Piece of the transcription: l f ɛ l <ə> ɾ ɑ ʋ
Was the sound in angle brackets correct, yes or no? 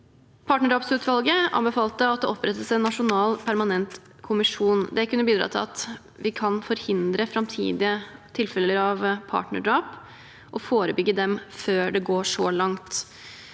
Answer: yes